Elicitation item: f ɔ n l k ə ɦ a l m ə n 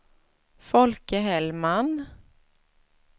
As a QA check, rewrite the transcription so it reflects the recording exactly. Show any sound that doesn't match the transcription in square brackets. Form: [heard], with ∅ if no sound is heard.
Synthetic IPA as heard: f ɔ [∅] l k ə ɦ [ɛ] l m [a] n